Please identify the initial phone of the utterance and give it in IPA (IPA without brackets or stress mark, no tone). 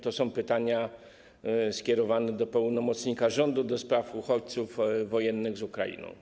t̪